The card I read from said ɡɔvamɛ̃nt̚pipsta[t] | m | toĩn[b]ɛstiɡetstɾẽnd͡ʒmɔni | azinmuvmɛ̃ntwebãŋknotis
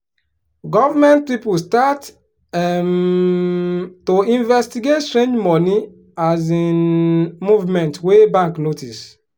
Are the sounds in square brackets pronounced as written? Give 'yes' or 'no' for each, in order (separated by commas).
yes, no